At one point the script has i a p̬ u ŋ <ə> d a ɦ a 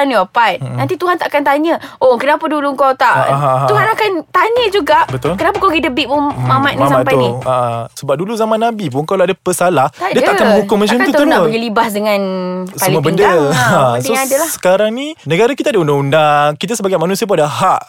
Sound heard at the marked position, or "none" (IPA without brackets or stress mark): a